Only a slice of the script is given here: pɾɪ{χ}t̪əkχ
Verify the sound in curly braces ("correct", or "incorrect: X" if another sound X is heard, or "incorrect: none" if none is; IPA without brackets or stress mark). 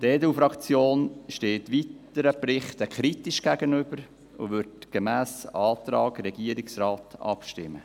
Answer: correct